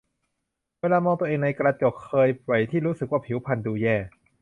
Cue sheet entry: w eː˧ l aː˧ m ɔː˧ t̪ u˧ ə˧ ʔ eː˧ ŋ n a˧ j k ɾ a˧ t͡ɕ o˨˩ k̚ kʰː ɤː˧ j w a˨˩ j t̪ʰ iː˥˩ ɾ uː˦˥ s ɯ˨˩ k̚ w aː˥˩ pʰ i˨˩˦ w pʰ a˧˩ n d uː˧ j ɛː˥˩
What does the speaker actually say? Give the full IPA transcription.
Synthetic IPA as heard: w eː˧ l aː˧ m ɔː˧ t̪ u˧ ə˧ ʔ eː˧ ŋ n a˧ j k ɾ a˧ t͡ɕ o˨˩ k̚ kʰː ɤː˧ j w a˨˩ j t̪ʰ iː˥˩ ɾ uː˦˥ s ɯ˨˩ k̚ w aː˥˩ pʰ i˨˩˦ w pʰ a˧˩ n d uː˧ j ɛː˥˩